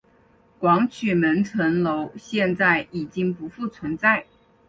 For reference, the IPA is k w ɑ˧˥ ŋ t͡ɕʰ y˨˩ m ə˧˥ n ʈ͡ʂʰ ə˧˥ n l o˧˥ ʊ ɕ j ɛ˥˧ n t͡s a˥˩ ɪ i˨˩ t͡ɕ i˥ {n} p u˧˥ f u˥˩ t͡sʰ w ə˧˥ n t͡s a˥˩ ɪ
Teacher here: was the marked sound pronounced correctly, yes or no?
no